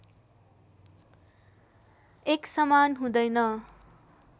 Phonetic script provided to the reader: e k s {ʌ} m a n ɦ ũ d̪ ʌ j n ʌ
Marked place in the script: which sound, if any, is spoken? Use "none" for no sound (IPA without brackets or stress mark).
ʌ